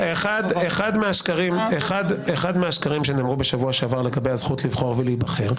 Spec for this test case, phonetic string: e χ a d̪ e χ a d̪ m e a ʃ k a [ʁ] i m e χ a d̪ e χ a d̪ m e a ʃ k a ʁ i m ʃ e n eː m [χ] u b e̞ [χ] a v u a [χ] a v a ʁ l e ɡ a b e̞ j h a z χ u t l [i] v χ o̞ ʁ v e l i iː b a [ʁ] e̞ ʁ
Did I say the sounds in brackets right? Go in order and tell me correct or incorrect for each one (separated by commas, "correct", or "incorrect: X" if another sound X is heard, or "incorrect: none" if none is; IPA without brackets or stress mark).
correct, incorrect: ʁ, incorrect: ʃ, incorrect: ʃ, correct, incorrect: χ